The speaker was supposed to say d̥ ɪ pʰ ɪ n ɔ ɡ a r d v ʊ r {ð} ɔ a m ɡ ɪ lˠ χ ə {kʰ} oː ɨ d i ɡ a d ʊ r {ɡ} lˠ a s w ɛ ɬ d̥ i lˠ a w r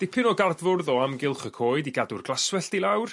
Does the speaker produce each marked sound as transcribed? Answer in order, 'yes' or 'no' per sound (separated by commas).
yes, yes, yes